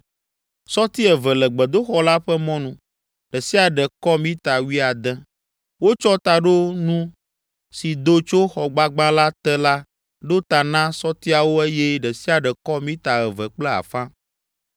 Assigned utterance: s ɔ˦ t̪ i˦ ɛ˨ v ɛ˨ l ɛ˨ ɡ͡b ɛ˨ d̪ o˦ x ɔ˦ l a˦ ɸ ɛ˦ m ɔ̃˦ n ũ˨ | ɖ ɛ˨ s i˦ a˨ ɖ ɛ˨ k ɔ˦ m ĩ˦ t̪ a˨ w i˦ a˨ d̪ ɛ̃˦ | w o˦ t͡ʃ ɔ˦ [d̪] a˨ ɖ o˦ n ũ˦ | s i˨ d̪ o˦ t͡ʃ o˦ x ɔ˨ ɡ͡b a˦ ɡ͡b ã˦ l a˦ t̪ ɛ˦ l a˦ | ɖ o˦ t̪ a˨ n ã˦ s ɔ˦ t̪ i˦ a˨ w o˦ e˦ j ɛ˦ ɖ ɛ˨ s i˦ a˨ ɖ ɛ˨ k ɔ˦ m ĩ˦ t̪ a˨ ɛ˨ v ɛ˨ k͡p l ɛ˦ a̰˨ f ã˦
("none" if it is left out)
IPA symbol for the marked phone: t̪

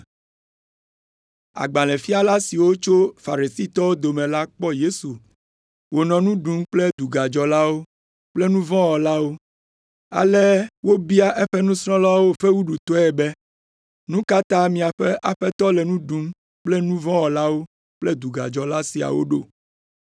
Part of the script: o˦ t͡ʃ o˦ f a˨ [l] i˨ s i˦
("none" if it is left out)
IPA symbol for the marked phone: ɾ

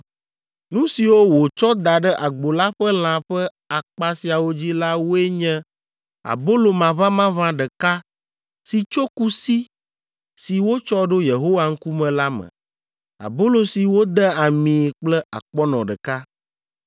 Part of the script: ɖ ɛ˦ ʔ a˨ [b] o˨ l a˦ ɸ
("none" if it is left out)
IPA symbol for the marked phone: ɡ͡b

